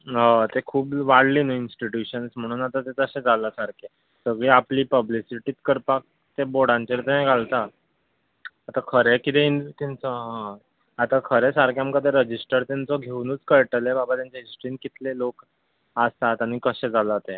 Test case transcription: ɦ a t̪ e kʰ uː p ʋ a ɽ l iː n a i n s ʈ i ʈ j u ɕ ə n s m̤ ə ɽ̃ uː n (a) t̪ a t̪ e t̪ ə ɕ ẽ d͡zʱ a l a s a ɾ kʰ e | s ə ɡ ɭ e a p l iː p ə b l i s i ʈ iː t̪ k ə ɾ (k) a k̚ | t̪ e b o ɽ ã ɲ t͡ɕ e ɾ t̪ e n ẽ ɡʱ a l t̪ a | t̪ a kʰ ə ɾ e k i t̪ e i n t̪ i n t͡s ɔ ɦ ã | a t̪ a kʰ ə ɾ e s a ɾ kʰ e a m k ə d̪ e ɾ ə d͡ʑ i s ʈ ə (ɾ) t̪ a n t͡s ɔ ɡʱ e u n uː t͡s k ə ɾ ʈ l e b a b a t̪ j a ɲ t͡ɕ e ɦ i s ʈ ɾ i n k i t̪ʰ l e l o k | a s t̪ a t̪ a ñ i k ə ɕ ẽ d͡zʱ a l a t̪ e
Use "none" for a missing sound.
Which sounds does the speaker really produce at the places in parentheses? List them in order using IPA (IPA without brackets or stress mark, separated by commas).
a, p, ɾ